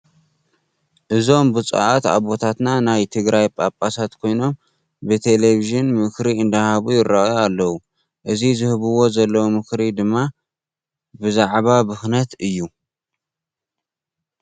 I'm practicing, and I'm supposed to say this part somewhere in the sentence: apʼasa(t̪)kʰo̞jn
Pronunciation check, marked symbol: correct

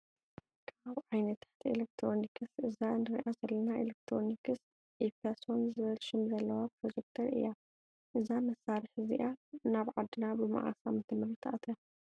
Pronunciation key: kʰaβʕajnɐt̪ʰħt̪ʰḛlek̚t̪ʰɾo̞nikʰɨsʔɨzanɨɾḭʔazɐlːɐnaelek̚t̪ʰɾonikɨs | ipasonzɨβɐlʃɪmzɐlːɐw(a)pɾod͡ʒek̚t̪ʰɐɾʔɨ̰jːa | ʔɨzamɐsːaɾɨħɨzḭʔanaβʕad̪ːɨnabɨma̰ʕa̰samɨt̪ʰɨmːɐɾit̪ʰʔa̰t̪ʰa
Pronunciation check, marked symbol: correct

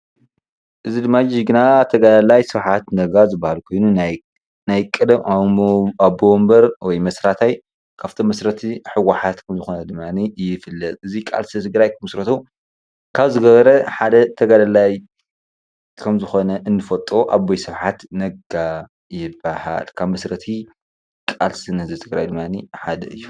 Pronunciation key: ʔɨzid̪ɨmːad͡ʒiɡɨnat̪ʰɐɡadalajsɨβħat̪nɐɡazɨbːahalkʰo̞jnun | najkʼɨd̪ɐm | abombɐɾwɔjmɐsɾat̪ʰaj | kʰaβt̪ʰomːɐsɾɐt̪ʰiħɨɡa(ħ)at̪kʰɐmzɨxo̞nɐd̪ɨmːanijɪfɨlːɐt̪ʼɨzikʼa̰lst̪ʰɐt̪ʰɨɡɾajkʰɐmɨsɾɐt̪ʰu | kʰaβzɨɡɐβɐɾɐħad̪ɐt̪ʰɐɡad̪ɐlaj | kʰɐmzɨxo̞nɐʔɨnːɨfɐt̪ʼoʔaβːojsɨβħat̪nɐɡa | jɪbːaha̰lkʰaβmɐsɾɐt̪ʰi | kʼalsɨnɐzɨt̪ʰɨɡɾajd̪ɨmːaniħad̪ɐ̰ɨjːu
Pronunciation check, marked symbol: correct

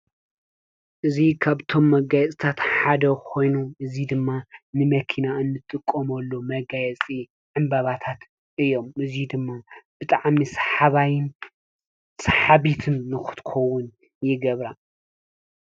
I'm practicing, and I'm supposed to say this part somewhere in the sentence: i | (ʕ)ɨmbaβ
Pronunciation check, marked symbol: correct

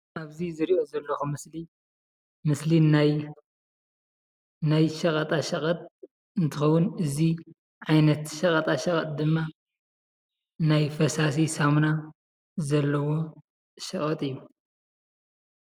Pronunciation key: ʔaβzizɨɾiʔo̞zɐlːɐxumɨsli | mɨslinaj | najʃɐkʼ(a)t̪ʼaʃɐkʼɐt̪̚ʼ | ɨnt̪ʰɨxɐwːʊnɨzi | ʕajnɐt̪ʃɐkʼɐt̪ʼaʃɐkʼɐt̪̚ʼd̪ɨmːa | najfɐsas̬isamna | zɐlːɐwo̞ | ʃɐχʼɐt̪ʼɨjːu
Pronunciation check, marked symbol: incorrect: ɐ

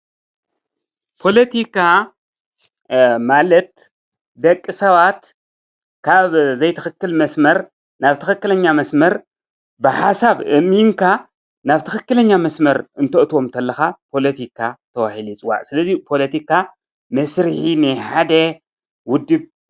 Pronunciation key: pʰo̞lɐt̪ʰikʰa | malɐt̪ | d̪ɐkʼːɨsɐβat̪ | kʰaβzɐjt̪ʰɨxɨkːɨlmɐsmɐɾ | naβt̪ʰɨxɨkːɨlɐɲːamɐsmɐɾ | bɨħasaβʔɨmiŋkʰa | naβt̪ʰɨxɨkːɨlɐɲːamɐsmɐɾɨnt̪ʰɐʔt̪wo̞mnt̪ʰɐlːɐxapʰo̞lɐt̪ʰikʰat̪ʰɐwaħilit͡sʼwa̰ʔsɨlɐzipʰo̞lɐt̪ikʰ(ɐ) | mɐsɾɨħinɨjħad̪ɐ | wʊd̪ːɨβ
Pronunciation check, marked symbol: incorrect: a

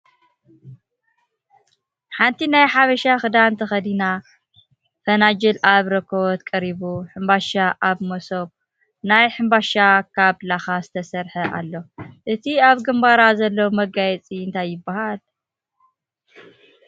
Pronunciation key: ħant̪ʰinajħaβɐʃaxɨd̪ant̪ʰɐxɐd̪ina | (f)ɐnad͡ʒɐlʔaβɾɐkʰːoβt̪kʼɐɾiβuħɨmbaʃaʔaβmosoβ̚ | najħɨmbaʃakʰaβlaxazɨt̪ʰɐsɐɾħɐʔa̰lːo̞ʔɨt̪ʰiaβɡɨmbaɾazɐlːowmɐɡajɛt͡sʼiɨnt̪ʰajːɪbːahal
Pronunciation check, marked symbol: correct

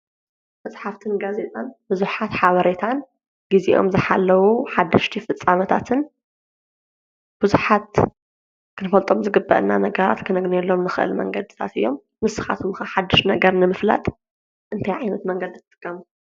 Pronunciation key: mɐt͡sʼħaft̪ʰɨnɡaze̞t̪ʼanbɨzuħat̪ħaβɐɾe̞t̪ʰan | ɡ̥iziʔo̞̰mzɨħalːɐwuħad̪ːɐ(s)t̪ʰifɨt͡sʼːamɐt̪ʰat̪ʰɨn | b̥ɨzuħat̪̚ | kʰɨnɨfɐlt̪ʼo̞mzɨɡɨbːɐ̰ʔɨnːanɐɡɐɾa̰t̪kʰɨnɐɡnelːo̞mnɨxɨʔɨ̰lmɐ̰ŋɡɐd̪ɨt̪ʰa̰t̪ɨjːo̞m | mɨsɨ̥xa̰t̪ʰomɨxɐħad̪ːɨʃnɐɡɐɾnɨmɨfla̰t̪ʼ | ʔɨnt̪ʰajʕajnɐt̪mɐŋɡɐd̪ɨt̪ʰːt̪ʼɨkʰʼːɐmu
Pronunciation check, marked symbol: incorrect: ʃ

